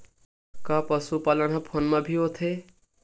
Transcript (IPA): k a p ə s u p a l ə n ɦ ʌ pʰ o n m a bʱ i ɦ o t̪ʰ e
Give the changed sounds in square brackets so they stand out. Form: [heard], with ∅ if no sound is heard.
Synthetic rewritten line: k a p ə s u p a l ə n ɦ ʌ pʰ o n m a bʱ i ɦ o t̪ʰ e